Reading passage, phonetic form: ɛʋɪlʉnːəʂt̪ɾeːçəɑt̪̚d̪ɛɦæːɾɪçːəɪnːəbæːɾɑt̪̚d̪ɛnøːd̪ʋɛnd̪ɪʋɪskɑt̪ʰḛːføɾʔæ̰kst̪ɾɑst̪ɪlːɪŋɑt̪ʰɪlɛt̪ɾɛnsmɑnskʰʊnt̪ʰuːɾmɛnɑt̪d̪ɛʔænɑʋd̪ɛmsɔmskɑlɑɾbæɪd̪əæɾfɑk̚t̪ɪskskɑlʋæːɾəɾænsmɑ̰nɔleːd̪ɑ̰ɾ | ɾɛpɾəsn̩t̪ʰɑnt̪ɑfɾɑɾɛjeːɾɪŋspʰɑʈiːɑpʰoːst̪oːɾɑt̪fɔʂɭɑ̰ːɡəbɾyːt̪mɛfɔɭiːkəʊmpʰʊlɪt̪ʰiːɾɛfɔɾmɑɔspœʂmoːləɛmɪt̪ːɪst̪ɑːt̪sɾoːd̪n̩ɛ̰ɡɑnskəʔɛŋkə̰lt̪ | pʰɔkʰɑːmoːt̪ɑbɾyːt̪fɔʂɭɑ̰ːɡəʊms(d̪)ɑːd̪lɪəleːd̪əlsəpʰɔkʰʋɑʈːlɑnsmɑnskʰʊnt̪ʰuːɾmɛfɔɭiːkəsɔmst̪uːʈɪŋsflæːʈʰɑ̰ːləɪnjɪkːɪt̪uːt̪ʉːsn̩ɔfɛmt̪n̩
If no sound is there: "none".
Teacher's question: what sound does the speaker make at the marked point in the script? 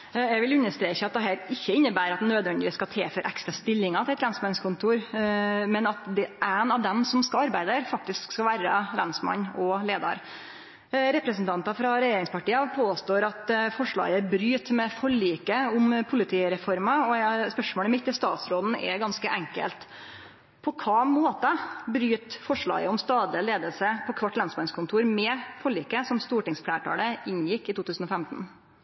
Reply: t̪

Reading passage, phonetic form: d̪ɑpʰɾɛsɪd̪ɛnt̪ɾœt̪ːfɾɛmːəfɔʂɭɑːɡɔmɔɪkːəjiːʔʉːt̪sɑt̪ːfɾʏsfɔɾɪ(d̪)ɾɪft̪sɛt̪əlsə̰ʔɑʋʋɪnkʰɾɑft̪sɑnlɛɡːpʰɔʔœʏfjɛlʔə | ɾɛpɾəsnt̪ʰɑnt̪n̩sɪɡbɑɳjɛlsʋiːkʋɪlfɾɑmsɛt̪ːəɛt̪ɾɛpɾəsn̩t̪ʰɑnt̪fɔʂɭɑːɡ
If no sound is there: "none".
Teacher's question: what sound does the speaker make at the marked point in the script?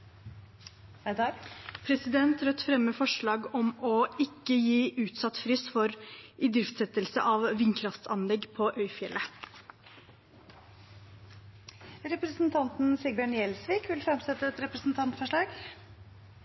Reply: d̪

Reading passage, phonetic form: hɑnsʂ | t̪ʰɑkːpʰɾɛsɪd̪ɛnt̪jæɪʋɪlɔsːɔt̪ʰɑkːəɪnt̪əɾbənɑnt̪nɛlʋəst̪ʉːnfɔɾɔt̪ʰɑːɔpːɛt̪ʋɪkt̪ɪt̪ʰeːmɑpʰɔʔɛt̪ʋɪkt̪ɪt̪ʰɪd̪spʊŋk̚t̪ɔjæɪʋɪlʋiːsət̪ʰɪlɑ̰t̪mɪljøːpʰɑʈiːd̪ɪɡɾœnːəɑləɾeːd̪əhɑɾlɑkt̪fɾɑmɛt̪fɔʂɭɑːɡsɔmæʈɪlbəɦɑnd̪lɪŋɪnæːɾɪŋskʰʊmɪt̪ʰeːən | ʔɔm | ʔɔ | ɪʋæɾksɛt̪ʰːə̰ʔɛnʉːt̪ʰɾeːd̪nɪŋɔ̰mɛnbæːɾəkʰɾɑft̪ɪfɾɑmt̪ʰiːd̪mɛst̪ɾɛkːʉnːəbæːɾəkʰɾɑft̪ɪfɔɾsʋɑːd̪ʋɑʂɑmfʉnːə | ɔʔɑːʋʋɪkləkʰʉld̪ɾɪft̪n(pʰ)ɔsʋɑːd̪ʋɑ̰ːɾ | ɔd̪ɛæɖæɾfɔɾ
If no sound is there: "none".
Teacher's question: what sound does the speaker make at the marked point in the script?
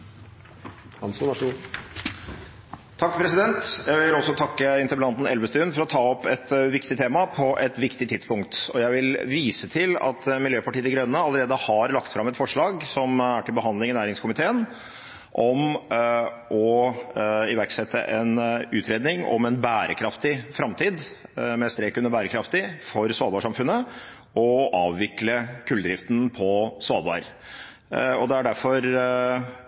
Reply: pʰ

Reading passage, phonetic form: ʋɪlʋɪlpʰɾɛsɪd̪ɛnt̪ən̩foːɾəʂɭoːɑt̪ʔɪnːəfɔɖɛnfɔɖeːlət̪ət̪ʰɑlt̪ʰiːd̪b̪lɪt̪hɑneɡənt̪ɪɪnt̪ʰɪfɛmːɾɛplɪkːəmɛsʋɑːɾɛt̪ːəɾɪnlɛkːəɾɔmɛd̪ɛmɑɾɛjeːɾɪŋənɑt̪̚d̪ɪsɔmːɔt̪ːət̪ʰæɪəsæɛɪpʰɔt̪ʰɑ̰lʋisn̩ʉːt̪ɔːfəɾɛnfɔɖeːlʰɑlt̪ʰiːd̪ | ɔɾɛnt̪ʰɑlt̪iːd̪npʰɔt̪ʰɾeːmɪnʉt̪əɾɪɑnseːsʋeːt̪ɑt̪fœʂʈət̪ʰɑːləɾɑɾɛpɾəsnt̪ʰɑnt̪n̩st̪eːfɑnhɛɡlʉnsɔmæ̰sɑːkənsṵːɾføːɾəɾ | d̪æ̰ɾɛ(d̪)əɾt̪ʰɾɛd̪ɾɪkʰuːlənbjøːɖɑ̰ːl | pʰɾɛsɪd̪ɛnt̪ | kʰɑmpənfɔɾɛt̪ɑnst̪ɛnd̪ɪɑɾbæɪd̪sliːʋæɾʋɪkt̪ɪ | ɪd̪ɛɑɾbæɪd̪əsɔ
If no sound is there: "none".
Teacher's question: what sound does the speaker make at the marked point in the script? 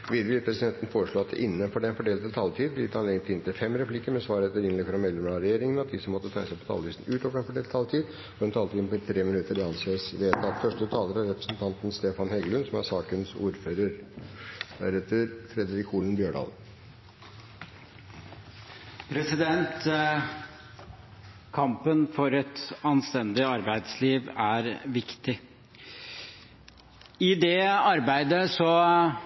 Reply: t̪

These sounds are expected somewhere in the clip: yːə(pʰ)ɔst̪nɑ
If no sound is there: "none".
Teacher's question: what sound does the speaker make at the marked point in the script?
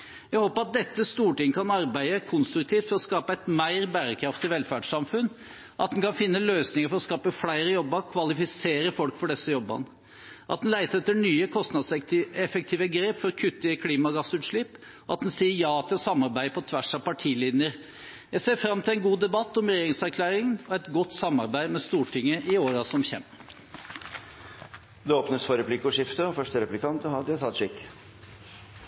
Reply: kʰ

